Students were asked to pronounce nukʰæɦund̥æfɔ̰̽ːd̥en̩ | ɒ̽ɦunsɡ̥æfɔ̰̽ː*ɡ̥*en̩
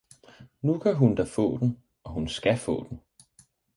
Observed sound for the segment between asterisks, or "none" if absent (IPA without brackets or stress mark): d̥